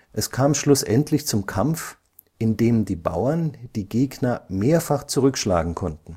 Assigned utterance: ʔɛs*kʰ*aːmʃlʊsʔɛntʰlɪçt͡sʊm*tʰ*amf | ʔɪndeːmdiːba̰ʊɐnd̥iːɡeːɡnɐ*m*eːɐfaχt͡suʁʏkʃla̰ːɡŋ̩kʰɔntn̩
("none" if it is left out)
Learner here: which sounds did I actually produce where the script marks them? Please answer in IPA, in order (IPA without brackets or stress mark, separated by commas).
kʰ, kʰ, m